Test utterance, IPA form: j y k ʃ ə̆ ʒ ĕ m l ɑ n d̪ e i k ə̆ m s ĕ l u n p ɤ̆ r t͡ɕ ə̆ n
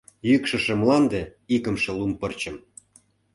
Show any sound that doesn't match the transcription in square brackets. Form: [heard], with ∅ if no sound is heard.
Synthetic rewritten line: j y k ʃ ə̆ [ʃ] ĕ m l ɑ n d̪ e i k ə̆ m [ʃ] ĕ l u [m] p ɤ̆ r t͡ɕ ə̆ [m]